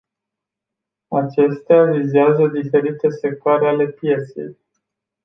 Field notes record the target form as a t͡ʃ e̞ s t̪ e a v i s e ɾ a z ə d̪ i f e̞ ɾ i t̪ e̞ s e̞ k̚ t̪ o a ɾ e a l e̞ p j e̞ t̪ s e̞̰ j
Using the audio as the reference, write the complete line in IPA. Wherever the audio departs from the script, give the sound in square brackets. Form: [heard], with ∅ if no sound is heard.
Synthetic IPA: a t͡ʃ e̞ s t̪ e a v i [z] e [∅] a z ə d̪ i f e̞ ɾ i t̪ e̞ s e̞ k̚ t̪ o a ɾ e a l e̞ p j e̞ t̪ s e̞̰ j